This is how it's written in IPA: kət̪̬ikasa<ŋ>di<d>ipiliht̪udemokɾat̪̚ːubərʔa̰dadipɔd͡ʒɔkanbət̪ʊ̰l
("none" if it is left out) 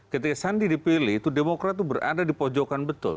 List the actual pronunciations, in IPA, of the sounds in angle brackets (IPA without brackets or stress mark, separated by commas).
n, d